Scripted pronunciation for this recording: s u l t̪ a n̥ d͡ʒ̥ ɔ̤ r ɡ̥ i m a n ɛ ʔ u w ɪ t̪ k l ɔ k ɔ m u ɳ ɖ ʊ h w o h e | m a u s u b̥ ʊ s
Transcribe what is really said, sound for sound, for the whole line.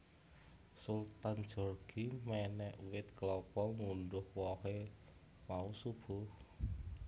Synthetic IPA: s u l t̪ a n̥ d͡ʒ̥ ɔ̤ r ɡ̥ i m ɛ n ɛ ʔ u w ɪ t̪ k l ɔ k ɔ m u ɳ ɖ ʊ h w ɔ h e | m a u s u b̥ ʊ h